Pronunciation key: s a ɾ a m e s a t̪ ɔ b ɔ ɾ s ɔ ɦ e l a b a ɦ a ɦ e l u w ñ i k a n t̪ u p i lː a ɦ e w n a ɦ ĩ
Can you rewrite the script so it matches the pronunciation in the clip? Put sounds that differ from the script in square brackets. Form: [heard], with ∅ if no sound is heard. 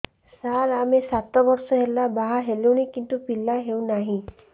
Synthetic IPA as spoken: s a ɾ a m e s a t̪ ɔ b ɔ ɾ s ɔ ɦ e l a b a ɦ a ɦ e l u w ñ i k [i] n t̪ u p i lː a ɦ e w n a ɦ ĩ